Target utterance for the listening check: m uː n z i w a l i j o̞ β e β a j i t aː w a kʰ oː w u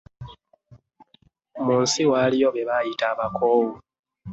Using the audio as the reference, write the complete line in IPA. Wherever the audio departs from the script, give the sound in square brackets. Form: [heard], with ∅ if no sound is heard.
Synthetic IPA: m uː n [s] i w a l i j o̞ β e β a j i t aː [β] a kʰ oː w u